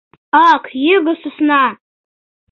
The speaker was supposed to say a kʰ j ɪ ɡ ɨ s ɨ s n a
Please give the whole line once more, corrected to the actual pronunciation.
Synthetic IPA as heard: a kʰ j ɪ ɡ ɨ s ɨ s n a

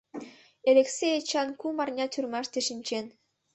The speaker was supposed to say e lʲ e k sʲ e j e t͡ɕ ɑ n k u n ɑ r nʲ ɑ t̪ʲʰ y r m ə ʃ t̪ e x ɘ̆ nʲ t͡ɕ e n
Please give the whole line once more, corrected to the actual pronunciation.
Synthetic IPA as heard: e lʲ e k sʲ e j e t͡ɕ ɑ n k u m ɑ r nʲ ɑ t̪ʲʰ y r m ɑ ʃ t̪ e ʃ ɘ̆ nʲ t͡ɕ e n

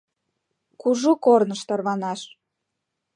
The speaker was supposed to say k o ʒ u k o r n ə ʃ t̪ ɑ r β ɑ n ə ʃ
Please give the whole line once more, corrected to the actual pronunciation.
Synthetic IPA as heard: k u ʒ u k o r n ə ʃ t̪ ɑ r β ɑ n ɑ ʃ

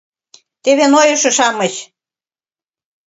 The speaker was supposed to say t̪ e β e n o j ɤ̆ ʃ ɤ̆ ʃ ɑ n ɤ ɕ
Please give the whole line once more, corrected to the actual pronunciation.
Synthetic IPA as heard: t̪ e β e n o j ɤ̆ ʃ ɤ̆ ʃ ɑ m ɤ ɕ

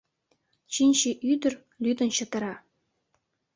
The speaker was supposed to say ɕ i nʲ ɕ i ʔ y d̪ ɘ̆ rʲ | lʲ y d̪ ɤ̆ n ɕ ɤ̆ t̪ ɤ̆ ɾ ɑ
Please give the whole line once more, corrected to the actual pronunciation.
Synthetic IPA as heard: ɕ i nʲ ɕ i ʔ y d̪ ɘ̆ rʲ | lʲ y d̪ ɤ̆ n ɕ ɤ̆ t̪ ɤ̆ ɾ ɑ

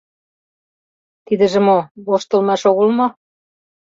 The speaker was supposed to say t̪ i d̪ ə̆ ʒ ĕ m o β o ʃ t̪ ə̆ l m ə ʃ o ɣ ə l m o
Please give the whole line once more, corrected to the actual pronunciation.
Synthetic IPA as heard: t̪ i d̪ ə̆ ʒ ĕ m o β o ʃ t̪ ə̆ l m ɑ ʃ o ɣ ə l m o

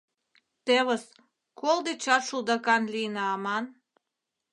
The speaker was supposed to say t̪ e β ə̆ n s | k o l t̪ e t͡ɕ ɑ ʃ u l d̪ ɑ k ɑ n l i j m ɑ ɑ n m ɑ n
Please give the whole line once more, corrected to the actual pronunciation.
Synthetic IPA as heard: t̪ e β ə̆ s | k o l d̪ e t͡ɕ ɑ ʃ u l d̪ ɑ k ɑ n l i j n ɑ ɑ m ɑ n

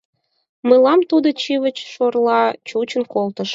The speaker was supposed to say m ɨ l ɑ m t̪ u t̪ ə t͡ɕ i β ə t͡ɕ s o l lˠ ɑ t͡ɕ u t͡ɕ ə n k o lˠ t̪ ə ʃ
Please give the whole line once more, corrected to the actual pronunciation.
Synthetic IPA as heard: m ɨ l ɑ m t̪ u d̪ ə t͡ɕ i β ə t͡ɕ ʃ o r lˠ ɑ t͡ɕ u t͡ɕ ə n k o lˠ t̪ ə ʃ

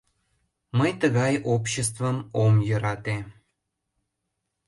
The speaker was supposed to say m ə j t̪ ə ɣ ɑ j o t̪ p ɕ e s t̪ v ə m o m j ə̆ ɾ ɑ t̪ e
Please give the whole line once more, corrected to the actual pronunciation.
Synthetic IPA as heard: m ə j t̪ ə ɣ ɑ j o p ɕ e s t̪ v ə m o m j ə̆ ɾ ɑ t̪ e

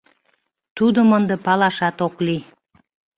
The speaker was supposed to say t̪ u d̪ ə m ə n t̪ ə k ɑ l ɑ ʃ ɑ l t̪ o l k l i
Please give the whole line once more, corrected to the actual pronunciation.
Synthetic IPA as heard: t̪ u d̪ ə m ə n d̪ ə p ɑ l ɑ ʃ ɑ t̪ o k l i

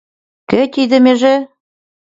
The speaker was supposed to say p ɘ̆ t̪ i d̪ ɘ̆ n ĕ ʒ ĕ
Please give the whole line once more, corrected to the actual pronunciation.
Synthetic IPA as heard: k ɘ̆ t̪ i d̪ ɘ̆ m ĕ ʒ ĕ

